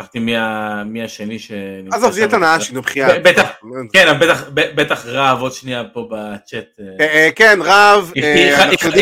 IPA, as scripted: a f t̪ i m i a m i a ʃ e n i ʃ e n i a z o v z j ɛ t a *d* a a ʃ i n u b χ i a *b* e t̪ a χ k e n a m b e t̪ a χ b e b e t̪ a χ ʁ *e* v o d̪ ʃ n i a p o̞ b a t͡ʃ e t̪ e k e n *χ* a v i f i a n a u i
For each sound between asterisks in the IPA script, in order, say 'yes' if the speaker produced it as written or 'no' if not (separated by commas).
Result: no, yes, no, no